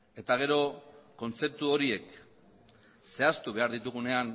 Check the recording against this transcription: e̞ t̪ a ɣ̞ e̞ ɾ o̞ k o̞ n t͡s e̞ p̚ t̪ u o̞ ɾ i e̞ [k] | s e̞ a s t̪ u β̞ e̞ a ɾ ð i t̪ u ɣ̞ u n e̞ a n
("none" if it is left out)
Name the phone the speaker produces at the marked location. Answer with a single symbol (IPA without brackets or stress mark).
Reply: k